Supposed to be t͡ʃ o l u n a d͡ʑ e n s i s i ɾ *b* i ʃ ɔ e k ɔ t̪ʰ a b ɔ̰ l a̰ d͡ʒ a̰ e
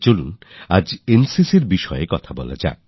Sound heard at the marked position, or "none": b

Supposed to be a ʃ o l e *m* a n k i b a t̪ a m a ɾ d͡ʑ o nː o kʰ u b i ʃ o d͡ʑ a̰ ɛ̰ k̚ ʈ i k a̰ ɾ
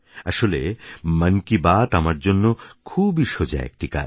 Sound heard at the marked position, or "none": m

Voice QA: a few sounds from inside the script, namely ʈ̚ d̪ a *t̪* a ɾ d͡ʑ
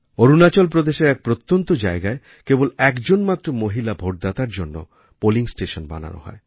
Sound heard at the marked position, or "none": t̪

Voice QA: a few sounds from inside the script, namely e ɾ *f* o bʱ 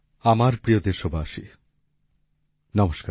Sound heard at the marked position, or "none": ʃ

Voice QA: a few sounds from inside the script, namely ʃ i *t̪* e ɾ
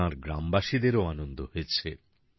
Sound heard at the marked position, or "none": d̪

